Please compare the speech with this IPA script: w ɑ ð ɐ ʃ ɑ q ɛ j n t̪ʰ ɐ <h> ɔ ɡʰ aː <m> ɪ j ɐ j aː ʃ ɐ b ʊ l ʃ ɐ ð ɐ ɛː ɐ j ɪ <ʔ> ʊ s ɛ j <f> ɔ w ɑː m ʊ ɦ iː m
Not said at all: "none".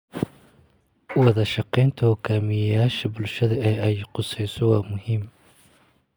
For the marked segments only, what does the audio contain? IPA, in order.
h, m, q, s

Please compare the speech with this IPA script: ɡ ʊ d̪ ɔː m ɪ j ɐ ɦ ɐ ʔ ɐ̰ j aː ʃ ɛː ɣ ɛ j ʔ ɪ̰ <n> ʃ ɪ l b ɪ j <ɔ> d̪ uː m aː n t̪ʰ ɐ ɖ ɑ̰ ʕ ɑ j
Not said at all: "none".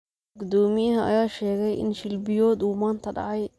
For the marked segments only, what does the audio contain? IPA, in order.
n, ɔː

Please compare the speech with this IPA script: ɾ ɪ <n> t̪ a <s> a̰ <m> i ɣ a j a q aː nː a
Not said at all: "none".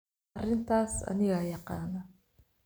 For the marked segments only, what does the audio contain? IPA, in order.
n, s, n

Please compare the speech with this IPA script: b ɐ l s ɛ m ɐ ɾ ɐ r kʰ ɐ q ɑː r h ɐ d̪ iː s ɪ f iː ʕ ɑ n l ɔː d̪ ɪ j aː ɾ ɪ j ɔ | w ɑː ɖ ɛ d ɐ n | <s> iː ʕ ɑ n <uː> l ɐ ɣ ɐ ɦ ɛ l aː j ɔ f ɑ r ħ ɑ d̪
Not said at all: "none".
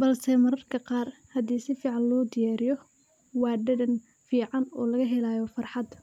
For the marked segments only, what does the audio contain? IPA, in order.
f, ɔː

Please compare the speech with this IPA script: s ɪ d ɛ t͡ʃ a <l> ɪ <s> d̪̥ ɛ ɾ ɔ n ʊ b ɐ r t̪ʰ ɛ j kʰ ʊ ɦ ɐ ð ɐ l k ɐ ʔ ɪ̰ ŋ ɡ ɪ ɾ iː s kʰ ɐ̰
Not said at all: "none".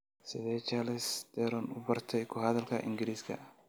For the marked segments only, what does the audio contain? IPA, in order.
l, s

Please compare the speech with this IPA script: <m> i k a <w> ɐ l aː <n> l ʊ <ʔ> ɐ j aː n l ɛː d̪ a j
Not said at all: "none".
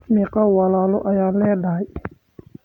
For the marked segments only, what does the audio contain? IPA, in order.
m, w, none, ʔ

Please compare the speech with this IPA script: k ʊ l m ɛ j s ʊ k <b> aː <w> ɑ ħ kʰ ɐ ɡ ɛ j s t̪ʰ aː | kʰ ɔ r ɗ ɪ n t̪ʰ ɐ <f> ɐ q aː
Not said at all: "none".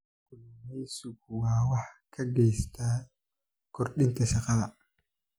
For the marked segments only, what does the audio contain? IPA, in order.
w, w, ʃ

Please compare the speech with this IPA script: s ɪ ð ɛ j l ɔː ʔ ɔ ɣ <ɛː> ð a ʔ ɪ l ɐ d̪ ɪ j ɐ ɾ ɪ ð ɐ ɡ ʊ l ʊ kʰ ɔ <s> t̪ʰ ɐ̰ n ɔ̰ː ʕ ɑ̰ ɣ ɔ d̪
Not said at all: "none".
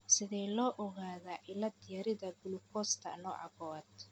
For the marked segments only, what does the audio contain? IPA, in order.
aː, s

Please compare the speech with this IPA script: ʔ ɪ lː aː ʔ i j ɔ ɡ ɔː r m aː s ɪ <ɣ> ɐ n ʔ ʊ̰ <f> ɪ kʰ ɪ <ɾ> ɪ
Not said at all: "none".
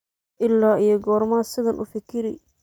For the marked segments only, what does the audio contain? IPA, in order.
ð, f, ɾ

